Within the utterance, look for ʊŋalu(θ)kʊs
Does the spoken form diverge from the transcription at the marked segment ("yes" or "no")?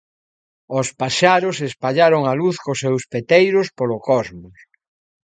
no